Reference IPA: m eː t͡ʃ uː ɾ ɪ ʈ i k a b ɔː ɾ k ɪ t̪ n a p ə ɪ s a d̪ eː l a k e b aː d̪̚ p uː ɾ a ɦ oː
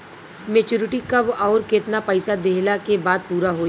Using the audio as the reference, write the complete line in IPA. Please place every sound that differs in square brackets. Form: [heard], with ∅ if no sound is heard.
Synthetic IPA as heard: m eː t͡ʃ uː ɾ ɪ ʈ i k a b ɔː ɾ k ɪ t̪ n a p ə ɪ s a d̪ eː l a k e b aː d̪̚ p uː ɾ a ɦ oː